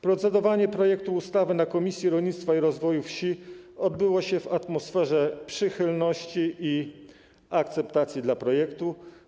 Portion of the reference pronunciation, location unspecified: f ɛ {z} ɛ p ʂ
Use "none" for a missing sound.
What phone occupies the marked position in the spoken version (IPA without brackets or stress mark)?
ʐ